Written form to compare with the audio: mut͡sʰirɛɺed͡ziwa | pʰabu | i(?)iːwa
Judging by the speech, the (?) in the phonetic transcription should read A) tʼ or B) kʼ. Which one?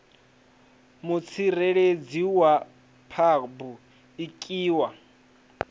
B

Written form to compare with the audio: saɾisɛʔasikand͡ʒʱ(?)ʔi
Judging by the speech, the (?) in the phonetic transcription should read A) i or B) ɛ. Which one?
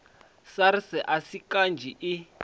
A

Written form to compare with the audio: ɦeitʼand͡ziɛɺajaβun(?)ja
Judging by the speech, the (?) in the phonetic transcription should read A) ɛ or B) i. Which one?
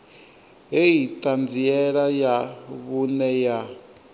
A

